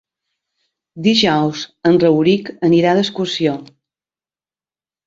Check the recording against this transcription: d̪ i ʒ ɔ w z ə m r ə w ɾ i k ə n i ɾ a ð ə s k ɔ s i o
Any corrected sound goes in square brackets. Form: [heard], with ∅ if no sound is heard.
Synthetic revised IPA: d̪ i ʒ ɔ w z ə [n] r ə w ɾ i k ə n i ɾ a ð ə s k [u] s i o